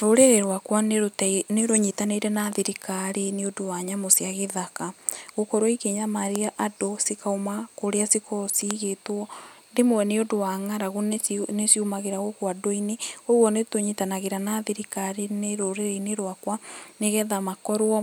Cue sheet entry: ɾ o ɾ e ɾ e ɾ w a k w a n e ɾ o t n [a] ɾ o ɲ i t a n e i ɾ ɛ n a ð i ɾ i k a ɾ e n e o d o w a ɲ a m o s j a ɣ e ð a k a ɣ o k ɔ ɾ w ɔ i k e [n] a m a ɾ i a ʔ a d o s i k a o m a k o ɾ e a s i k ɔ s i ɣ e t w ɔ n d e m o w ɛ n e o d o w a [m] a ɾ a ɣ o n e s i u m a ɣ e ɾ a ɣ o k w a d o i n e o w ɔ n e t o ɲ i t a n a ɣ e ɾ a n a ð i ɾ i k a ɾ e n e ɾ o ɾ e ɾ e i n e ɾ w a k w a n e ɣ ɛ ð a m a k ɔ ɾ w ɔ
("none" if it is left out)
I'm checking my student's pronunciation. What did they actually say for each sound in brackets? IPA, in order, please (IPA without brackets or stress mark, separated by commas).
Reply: e, ɲ, ŋ